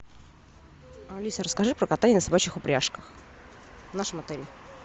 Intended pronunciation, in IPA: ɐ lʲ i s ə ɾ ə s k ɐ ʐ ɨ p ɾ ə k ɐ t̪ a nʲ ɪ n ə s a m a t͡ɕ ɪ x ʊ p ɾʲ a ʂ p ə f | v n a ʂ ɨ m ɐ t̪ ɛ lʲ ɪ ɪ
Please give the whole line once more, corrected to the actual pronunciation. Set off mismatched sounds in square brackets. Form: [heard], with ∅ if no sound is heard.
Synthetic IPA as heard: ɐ lʲ i s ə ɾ ə s k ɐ ʐ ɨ p ɾ ə k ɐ t̪ a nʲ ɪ n ə s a [b] a t͡ɕ ɪ x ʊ p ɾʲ a ʂ [k] ə [x] | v n a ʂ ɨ m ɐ t̪ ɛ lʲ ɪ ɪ